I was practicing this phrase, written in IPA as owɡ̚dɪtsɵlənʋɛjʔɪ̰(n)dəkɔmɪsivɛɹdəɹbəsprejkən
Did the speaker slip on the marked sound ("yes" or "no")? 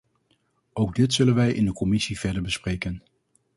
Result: no